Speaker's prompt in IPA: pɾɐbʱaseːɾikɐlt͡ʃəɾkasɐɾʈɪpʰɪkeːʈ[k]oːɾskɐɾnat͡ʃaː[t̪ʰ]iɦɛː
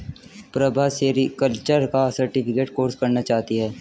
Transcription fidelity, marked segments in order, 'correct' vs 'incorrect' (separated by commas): correct, incorrect